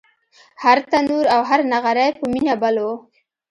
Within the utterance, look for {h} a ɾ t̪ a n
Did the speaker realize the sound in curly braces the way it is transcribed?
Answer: yes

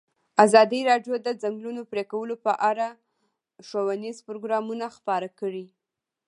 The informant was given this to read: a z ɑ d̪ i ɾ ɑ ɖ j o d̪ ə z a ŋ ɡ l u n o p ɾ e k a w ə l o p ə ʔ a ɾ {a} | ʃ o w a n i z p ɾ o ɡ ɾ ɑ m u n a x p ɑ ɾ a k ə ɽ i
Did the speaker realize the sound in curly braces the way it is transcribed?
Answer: yes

